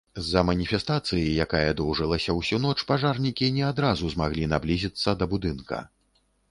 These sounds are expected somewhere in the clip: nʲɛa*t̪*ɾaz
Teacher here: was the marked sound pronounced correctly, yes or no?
no